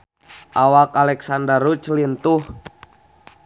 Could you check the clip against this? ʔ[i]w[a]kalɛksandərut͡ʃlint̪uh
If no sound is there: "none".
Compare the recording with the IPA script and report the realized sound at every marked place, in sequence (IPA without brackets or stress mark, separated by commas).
a, a